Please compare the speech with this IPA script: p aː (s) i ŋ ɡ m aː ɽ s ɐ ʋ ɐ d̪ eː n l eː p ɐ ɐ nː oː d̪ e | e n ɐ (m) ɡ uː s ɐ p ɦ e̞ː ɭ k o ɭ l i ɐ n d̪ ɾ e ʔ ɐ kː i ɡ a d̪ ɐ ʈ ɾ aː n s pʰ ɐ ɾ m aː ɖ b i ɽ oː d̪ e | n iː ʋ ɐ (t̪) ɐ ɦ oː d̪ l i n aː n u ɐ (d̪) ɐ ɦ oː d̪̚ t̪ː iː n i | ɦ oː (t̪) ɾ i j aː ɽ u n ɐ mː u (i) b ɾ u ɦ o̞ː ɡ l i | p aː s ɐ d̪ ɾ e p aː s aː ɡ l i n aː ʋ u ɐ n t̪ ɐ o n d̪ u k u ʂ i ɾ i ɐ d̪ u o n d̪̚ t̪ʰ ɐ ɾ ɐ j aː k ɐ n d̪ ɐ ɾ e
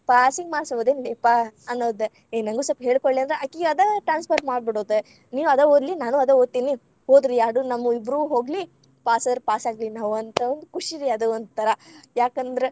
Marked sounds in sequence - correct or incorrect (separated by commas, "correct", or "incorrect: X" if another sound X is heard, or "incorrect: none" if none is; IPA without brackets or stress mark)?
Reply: correct, incorrect: ŋ, incorrect: d̪, correct, incorrect: d̪, correct